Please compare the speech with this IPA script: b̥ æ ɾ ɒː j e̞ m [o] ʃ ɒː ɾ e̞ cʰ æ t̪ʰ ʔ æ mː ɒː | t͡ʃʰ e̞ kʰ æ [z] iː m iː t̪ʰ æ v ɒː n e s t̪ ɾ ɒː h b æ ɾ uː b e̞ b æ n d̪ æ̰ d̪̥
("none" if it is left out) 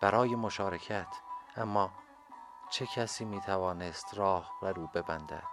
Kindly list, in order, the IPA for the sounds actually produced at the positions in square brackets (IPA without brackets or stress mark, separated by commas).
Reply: o, s